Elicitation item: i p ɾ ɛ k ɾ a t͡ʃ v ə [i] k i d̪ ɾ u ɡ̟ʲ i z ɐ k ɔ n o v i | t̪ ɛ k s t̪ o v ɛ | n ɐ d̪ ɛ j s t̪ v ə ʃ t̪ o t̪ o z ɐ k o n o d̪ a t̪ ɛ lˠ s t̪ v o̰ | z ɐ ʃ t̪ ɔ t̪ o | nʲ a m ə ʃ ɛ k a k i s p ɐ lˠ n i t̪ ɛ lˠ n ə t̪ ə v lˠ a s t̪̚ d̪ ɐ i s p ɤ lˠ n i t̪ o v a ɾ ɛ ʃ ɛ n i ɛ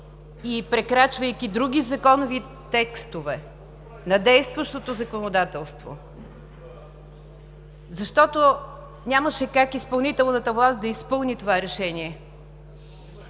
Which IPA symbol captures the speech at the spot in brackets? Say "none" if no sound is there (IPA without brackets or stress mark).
j